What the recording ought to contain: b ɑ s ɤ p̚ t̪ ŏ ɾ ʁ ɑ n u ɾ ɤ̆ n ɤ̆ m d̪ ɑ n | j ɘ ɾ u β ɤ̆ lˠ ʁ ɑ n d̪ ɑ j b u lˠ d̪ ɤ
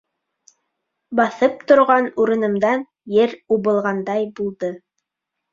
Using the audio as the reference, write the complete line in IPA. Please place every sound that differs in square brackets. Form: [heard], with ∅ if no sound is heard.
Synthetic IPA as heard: b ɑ [θ] ɤ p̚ t̪ ŏ ɾ ʁ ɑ n u ɾ ɤ̆ n ɤ̆ m d̪ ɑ n | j ɘ ɾ u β ɤ̆ lˠ ʁ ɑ n d̪ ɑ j b u lˠ d̪ ɤ